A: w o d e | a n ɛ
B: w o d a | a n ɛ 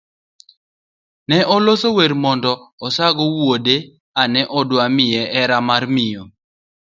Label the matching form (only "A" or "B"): A